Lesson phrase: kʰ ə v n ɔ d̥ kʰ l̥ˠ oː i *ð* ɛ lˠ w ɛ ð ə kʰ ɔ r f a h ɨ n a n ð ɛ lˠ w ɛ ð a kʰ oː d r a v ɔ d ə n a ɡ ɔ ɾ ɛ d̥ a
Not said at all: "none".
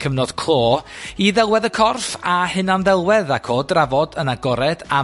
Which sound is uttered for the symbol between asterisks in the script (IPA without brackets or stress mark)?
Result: ð